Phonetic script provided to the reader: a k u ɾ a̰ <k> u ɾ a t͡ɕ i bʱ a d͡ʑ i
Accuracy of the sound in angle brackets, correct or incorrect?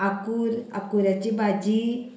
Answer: correct